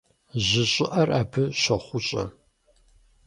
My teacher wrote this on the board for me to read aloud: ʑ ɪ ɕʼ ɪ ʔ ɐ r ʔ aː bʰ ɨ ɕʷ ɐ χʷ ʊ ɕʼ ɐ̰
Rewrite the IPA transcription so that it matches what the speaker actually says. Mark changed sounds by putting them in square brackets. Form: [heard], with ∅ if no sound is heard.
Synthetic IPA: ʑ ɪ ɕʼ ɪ ʔ ɐ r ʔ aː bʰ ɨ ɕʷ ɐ χʷ ʊ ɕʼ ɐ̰